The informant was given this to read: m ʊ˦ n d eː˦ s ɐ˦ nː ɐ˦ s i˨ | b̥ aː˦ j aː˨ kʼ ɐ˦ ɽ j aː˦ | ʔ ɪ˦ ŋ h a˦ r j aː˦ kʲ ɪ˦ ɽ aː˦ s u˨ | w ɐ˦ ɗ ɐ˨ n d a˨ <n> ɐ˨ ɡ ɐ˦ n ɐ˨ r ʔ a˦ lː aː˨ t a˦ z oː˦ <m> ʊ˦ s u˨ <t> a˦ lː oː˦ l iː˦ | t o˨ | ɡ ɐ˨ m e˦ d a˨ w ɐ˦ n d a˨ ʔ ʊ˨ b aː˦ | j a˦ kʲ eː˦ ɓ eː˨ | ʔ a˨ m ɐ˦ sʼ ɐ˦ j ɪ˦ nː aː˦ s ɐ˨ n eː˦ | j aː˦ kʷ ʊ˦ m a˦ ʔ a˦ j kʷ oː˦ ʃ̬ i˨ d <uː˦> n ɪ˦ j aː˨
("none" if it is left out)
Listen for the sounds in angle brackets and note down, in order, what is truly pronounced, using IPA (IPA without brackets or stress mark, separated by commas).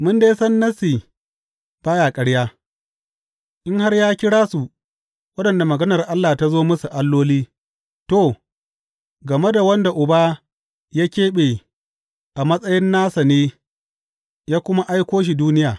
m, m, ʔ, uː˦